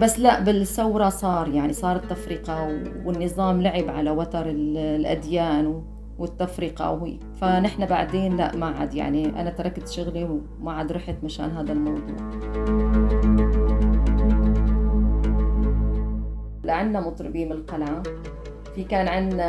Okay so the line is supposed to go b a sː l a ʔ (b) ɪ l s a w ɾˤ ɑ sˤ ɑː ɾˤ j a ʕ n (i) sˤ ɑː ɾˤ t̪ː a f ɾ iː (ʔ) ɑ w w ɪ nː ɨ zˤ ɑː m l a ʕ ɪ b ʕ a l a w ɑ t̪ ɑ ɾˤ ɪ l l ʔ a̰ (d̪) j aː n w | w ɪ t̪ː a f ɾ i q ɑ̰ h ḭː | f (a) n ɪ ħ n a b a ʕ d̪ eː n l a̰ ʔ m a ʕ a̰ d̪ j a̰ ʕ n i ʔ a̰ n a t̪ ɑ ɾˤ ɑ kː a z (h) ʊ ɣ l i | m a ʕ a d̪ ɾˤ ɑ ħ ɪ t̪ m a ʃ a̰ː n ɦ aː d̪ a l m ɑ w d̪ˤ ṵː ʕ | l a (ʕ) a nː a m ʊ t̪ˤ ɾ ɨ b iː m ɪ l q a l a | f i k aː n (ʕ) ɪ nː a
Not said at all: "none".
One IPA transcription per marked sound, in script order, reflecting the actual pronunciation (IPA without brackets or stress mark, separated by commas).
b, i, q, d̪, a, ʃ, ʕ, ʕ